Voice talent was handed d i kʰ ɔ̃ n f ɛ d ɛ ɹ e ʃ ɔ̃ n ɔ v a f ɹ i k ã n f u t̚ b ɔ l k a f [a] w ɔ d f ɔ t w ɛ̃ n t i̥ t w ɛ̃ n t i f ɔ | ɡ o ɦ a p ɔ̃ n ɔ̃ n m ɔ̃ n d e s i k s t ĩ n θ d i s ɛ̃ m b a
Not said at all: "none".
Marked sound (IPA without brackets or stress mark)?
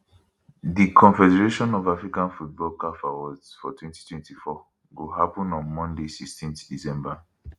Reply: a